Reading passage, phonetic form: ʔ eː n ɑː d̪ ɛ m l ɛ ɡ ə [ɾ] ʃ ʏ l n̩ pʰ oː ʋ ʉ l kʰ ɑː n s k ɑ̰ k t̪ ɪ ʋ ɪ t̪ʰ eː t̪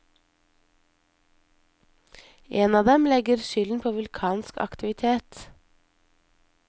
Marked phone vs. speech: correct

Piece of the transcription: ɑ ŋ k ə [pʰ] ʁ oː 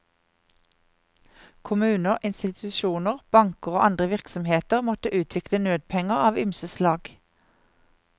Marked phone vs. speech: incorrect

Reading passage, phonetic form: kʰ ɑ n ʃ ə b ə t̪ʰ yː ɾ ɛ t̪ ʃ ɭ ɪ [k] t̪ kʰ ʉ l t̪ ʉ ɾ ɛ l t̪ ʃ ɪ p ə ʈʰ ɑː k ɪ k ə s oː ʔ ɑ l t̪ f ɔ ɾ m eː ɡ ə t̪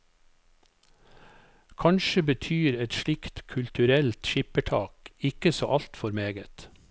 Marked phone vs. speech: correct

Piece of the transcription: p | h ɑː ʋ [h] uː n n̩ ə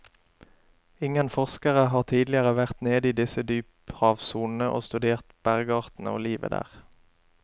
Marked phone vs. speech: incorrect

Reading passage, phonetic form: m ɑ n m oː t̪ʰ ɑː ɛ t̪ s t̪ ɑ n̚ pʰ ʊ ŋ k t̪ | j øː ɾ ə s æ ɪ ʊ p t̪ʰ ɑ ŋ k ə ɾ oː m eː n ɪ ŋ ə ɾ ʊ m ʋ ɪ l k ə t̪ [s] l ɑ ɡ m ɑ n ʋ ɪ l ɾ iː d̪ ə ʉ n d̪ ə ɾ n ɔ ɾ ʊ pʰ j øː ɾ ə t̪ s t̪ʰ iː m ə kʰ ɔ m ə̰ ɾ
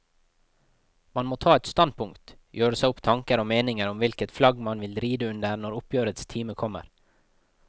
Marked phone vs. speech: incorrect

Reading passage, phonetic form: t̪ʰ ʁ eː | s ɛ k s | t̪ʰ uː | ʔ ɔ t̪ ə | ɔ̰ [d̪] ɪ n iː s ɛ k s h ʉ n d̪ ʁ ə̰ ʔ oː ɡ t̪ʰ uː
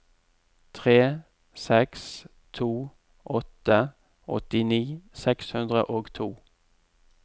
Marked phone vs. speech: incorrect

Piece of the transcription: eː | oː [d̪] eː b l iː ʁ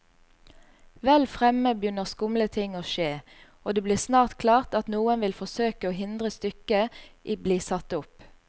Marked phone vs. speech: correct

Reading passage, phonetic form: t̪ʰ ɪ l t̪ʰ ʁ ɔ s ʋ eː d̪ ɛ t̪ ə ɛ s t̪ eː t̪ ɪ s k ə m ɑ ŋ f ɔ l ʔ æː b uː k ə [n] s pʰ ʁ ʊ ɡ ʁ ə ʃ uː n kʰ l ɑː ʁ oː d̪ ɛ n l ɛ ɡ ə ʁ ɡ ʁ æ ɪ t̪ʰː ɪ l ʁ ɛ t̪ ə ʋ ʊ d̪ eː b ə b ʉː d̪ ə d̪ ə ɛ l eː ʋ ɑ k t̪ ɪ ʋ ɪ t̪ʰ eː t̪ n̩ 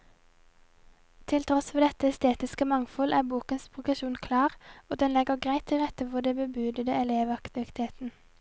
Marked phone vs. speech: correct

